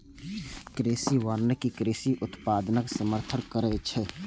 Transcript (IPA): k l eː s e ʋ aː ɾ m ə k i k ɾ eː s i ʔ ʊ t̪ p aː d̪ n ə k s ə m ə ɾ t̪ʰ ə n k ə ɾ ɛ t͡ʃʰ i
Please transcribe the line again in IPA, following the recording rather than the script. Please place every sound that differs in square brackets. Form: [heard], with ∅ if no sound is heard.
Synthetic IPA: k [ɾ] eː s [i] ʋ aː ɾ [n] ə k i k ɾ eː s i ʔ ʊ t̪ p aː d̪ n ə k s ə m ə ɾ t̪ʰ ə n k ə ɾ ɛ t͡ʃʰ [ɛ]